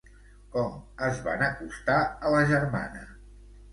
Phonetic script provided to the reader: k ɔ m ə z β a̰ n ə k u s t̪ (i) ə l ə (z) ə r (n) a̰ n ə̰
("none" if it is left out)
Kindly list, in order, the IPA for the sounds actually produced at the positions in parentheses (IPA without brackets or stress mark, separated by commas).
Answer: a, ʒ, m